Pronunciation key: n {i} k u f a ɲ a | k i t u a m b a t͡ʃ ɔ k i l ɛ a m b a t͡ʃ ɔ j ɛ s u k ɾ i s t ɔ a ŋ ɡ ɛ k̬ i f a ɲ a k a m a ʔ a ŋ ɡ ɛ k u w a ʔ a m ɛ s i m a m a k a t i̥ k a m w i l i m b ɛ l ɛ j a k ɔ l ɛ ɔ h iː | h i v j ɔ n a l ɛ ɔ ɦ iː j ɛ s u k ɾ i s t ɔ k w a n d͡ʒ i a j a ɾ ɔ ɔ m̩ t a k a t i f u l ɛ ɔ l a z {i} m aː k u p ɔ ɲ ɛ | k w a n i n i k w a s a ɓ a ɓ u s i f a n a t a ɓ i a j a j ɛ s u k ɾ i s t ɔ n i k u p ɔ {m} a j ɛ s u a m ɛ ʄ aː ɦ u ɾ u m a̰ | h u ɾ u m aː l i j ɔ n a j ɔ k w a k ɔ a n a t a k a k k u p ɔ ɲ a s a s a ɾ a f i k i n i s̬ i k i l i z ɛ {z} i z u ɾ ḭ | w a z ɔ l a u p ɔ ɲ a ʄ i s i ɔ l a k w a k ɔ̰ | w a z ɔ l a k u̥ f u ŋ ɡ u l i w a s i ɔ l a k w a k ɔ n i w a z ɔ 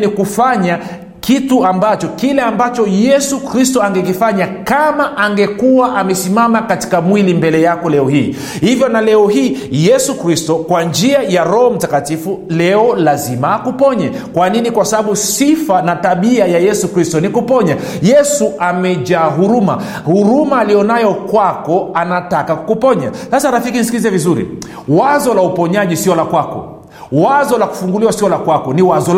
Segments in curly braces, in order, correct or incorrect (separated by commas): correct, correct, incorrect, incorrect